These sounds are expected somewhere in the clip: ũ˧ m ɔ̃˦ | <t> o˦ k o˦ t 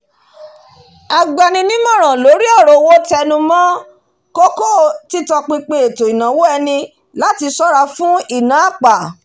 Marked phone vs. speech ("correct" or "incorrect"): incorrect